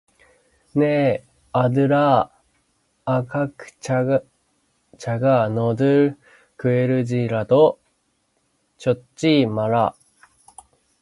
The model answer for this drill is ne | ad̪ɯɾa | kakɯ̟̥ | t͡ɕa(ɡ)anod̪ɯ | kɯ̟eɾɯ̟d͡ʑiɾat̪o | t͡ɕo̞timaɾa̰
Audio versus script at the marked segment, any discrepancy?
no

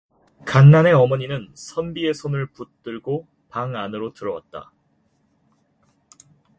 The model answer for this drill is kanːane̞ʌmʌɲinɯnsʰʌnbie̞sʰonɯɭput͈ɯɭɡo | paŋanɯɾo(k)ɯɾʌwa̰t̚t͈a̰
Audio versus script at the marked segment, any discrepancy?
yes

